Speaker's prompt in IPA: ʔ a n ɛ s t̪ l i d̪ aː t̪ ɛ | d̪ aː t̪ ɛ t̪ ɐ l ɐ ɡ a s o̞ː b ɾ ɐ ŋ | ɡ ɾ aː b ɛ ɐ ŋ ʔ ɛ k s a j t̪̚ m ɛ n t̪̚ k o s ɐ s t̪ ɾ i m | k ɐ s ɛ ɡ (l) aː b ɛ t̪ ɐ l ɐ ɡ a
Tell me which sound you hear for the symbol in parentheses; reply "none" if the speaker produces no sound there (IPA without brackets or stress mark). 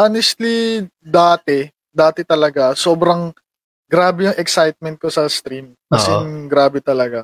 ɾ